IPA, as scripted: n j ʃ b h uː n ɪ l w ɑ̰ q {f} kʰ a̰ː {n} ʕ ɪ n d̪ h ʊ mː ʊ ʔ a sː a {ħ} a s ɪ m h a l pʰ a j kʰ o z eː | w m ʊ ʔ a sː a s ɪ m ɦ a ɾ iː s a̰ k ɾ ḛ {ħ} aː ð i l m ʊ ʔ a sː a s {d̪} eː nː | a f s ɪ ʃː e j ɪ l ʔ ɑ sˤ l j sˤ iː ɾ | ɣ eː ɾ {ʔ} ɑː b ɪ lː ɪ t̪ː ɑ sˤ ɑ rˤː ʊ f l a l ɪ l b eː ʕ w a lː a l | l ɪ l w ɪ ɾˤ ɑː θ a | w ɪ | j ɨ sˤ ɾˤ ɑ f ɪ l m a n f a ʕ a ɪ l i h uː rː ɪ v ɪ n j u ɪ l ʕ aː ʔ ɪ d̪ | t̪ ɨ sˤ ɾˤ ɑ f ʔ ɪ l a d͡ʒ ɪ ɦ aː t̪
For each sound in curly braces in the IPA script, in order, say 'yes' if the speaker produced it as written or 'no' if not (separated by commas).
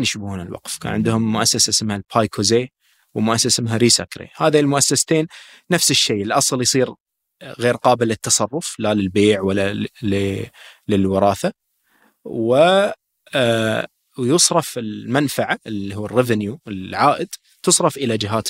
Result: yes, yes, no, no, no, no